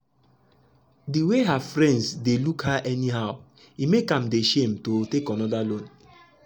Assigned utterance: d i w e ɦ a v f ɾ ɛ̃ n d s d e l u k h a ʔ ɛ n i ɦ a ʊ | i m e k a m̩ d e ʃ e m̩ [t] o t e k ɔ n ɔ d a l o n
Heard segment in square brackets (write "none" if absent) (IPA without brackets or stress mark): t